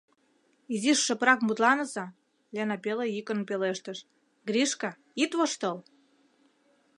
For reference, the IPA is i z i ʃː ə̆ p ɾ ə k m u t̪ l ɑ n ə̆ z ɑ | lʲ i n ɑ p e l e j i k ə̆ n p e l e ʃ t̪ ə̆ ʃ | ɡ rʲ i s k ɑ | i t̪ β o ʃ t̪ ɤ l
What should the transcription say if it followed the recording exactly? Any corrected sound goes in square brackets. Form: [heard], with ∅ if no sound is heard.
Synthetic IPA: i z i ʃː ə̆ p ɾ [ɑ] k m u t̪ l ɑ n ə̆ z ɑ | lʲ [e] n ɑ p e l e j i k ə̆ n p e l e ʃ t̪ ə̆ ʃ | ɡ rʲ i [ʃ] k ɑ | i t̪ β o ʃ t̪ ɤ l